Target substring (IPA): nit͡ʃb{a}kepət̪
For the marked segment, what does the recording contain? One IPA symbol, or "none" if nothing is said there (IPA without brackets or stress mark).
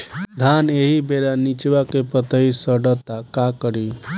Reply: a